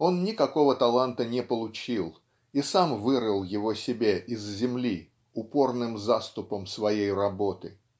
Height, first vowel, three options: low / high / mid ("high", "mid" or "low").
mid